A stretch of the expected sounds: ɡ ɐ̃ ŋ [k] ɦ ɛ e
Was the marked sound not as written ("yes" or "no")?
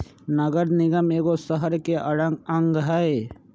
yes